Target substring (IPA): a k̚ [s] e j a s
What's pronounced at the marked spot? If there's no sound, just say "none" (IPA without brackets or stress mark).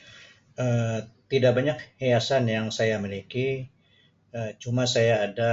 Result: h